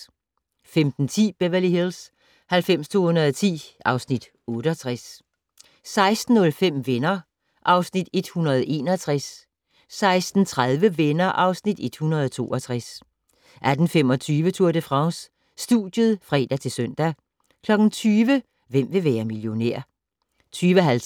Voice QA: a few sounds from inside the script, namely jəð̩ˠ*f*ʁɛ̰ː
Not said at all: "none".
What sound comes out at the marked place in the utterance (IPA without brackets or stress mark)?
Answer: f